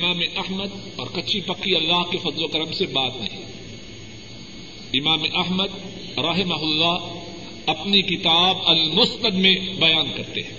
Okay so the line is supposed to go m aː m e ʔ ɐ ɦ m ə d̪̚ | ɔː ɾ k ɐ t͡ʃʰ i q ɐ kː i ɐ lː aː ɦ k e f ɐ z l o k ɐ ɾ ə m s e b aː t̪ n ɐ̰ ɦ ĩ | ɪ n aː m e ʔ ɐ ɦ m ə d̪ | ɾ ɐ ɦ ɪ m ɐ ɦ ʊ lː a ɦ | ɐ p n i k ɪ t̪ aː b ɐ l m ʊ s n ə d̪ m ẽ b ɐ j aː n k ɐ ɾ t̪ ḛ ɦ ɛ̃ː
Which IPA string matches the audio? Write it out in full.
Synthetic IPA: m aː m e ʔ ɐ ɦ m ə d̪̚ | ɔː ɾ k ɐ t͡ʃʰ i p ɐ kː i ɐ lː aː ɦ k e f ɐ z l o k ɐ ɾ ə m s e b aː t̪ n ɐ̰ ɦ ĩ | ɪ m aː m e ʔ ɐ ɦ m ə d̪ | ɾ ɐ ɦ ɪ m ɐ ɦ ʊ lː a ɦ | ɐ p n i k ɪ t̪ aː b ɐ l m ʊ s n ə d̪ m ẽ b ɐ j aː n k ɐ ɾ t̪ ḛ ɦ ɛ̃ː